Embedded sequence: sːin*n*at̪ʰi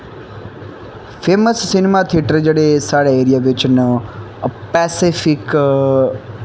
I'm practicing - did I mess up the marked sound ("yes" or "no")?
yes